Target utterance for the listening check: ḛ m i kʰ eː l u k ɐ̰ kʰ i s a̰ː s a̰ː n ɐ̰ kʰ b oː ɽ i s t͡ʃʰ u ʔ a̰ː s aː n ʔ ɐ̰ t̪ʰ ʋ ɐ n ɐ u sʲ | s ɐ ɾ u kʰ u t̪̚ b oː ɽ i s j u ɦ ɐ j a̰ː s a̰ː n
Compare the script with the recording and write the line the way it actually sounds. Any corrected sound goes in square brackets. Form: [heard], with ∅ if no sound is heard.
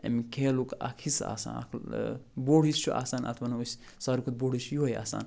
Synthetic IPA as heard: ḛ m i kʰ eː l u k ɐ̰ kʰ i s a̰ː s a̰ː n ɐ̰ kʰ b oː ɽ i s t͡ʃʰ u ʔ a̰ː s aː n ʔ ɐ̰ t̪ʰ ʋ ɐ n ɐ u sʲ | s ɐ ɾ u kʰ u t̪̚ b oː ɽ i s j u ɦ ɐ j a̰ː s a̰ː n